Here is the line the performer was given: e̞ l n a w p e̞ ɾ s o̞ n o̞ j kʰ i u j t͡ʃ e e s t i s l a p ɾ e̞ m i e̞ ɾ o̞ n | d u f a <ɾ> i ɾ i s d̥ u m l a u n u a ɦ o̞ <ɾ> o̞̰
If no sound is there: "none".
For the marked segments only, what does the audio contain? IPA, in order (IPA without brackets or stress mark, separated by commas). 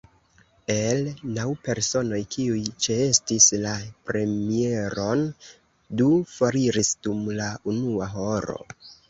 ɾ, ɾ